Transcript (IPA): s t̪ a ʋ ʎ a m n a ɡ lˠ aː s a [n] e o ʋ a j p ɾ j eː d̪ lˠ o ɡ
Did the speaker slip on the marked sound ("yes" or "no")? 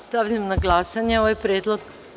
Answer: yes